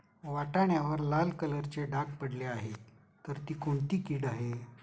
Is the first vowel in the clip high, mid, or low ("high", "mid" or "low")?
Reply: low